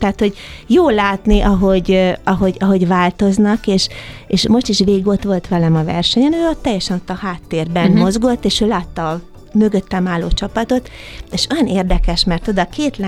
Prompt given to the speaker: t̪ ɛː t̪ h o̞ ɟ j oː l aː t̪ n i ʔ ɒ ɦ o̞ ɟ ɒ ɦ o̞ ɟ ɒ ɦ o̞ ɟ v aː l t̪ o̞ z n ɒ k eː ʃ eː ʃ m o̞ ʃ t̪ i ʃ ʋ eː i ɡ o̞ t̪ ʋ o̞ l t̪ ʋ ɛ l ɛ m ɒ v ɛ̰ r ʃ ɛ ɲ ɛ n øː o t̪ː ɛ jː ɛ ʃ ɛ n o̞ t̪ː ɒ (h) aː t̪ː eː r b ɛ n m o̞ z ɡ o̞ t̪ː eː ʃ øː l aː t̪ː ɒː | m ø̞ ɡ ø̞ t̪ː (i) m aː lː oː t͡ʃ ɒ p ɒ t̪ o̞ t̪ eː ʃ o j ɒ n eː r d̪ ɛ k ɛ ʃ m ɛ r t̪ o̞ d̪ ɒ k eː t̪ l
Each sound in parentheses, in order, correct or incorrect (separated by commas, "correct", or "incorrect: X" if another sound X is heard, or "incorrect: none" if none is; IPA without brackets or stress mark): correct, incorrect: ɛ